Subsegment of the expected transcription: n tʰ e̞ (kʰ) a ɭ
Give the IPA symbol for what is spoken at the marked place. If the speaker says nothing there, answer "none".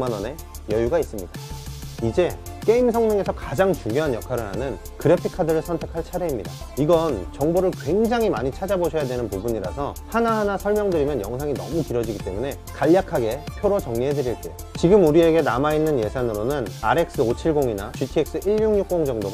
kʰ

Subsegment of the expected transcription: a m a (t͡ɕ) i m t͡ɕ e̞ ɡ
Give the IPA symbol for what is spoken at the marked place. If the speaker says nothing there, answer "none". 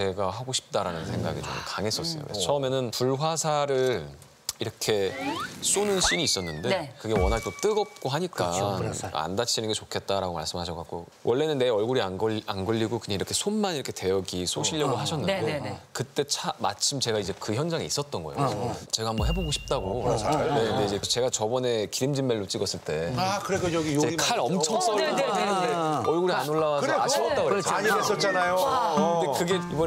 t͡ɕʰ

